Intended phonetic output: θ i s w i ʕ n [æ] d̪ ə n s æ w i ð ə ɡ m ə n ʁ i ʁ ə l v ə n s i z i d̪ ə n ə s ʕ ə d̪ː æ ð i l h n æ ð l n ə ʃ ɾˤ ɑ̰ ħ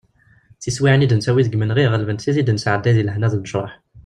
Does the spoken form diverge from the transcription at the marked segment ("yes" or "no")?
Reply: yes